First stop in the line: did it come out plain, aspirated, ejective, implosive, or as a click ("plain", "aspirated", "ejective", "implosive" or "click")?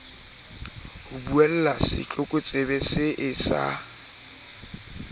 plain